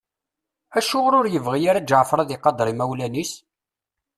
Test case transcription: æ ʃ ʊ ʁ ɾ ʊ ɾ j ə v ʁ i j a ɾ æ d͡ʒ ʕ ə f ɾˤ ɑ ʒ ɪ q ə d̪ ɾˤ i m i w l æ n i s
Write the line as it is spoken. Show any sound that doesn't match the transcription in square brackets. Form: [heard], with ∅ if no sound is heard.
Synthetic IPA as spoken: æ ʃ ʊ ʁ ɾ ʊ ɾ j ə v ʁ i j a ɾ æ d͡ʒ ʕ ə f ɾˤ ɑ [ð] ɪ q [ɑ] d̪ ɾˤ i m [æ] w l æ n i s